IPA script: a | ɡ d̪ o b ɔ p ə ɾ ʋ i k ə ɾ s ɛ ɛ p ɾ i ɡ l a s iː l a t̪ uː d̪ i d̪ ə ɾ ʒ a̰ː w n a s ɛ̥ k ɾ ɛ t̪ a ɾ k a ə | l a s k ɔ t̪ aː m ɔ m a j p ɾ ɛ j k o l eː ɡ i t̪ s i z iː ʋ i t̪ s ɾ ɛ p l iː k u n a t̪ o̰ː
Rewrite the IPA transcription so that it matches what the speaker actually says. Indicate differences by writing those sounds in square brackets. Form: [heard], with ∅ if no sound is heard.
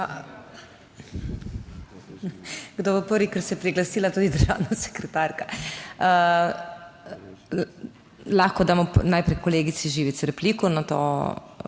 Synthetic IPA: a | ɡ d̪ o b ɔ p ə ɾ ʋ i k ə ɾ s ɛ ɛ p ɾ i ɡ l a s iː l a t̪ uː d̪ i d̪ ə ɾ ʒ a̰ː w n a s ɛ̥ k ɾ ɛ t̪ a ɾ k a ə | l a [x] k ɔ [d̪] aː m ɔ [n] a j p ɾ ɛ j k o l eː ɡ i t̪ s i [ʒ] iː ʋ i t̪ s ɾ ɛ p l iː k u n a t̪ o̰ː